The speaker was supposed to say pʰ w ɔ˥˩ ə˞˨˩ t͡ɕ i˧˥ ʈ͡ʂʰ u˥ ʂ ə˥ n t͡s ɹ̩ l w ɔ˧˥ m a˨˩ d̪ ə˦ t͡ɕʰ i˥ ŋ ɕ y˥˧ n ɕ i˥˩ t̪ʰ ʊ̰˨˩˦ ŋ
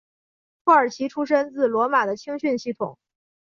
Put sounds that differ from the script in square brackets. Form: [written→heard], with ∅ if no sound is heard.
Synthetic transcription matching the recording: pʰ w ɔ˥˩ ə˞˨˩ [t͡ɕ→t͡ɕʰ] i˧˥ ʈ͡ʂʰ u˥ ʂ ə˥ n t͡s ɹ̩ l w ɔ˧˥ m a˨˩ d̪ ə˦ t͡ɕʰ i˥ ŋ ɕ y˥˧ n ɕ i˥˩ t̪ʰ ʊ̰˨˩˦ ŋ